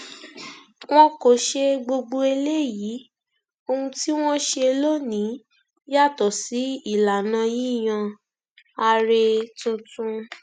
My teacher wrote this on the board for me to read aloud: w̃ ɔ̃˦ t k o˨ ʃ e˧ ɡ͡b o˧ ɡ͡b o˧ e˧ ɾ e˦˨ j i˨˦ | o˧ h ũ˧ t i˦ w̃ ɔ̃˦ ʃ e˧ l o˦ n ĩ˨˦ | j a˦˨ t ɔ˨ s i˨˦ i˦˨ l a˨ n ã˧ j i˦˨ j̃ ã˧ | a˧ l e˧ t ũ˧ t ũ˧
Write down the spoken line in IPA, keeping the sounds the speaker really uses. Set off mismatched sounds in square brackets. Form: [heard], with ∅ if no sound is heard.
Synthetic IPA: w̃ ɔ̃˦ [∅] k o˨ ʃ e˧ ɡ͡b o˧ ɡ͡b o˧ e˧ [l] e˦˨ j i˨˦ | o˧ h ũ˧ t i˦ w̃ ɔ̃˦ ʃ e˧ l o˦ n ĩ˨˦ | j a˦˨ t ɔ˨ s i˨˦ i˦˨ l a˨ n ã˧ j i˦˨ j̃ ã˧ | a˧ [ɾ] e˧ t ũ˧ t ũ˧